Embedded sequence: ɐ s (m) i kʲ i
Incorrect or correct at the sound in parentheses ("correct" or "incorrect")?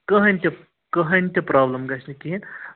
incorrect